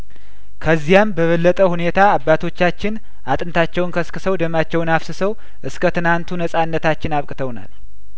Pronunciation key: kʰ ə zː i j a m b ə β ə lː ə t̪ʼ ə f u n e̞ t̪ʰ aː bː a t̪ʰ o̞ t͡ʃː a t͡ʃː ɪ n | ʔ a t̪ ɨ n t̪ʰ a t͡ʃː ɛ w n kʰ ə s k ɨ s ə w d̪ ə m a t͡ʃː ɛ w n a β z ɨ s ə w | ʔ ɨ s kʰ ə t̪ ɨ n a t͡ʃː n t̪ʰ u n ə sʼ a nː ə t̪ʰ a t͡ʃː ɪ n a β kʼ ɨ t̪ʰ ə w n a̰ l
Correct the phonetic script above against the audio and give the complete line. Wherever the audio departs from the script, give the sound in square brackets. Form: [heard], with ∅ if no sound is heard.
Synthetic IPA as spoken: kʰ ə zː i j a m b ə β ə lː ə t̪ʼ ə [h] u n e̞ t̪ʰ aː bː a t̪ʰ o̞ t͡ʃː a t͡ʃː ɪ n | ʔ a [t̪ʼ] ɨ n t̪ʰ a t͡ʃː ɛ w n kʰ ə s k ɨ s ə w d̪ ə m a t͡ʃː ɛ w n a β [s] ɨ s ə w | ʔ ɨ s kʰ ə t̪ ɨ n a [∅] n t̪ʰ u n ə sʼ a nː ə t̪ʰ a t͡ʃː ɪ n a β kʼ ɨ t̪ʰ ə w n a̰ l